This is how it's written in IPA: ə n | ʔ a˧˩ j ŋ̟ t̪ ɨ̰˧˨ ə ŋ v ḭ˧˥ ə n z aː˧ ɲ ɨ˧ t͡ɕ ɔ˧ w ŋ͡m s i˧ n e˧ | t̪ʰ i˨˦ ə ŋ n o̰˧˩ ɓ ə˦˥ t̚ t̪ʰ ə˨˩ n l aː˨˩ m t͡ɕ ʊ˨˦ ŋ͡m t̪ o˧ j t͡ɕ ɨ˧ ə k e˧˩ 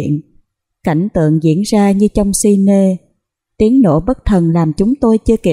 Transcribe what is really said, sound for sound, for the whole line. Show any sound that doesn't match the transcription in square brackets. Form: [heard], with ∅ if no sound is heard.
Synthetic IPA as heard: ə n | [k] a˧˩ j ŋ̟ t̪ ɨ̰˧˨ ə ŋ [z] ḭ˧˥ ə n z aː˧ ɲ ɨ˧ t͡ɕ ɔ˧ w ŋ͡m s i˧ n e˧ | [t̪] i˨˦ ə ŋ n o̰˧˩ ɓ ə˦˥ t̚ t̪ʰ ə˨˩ n l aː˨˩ m t͡ɕ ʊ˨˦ ŋ͡m t̪ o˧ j t͡ɕ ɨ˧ ə k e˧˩